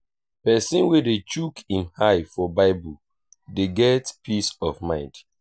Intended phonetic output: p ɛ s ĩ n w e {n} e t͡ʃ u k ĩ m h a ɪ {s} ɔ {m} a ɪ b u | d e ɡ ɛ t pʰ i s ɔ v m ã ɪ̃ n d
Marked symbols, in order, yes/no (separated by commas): no, no, no